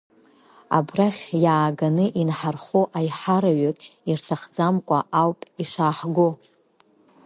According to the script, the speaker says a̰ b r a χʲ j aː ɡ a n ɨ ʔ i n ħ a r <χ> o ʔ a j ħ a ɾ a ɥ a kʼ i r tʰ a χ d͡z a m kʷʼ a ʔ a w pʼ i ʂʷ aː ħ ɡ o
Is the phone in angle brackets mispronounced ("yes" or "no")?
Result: no